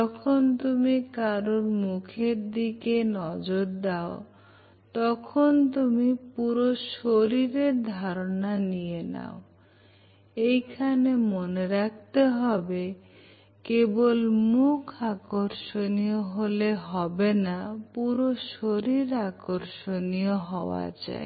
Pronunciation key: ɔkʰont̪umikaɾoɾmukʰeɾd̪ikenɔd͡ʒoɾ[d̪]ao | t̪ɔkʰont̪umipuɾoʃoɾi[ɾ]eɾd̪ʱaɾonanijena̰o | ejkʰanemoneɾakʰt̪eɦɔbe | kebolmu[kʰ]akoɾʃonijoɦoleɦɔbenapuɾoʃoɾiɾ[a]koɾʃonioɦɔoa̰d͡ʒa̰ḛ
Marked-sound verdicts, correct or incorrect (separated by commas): correct, correct, correct, correct